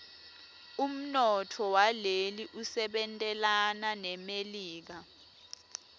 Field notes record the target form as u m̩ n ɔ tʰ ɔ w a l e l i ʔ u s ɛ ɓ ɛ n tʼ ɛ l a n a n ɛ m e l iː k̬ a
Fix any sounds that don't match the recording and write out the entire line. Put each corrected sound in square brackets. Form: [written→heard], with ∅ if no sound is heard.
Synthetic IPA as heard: u m̩ n ɔ tʰ ɔ w a l e l i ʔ u s ɛ ɓ ɛ n tʼ ɛ l a n a n ɛ m e l iː k̬ a